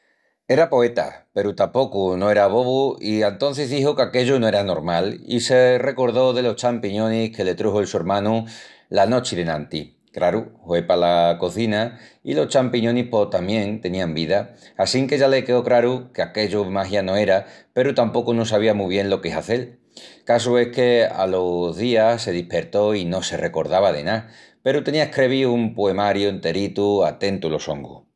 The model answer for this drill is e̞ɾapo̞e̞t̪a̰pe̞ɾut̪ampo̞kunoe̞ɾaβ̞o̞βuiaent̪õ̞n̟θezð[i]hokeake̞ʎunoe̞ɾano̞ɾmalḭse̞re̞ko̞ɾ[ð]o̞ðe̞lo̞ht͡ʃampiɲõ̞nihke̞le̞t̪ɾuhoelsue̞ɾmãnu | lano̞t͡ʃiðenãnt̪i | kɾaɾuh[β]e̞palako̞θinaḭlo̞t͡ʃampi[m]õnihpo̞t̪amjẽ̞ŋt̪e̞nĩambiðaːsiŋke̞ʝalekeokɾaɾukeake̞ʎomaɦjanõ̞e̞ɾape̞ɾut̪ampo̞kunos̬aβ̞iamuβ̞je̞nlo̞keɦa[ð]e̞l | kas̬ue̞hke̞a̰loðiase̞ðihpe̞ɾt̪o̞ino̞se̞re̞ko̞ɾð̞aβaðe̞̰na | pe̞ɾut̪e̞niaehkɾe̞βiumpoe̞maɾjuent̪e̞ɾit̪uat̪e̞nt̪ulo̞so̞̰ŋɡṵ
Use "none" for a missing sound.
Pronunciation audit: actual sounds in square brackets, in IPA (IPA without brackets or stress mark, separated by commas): i, ð, w, ɲ, θ